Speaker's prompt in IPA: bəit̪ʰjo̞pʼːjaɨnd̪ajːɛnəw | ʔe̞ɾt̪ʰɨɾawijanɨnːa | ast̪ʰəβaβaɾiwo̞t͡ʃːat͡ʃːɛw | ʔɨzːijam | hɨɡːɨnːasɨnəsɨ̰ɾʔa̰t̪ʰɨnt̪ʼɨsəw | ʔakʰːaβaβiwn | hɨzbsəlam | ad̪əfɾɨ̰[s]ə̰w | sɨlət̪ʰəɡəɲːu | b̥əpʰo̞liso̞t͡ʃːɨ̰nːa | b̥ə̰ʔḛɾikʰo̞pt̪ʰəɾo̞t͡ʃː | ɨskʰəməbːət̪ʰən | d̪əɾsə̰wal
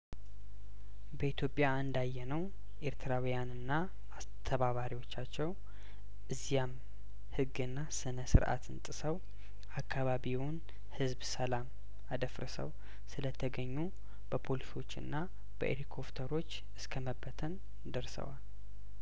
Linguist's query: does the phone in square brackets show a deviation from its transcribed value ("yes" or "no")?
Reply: no